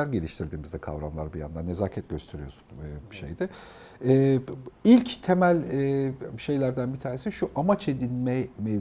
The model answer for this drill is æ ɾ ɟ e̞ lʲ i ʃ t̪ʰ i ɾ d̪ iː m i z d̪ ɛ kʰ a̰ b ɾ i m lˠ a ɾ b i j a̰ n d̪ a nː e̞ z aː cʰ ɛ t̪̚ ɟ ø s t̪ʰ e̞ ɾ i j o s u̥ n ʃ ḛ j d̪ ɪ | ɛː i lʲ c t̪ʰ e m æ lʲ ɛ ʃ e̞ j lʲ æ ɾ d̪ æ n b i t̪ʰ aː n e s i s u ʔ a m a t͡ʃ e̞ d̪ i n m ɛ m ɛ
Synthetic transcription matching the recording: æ ɾ ɟ e̞ lʲ i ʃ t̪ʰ i ɾ d̪ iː m i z d̪ ɛ kʰ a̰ v ɾ a m lˠ a ɾ b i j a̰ n d̪ a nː e̞ z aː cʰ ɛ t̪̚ ɟ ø s t̪ʰ e̞ ɾ i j o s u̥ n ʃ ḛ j d̪ ɪ | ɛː i lʲ c t̪ʰ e m æ lʲ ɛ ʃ e̞ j lʲ æ ɾ d̪ æ n b i t̪ʰ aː n e s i ʃ u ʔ a m a t͡ʃ e̞ d̪ i n m ɛ m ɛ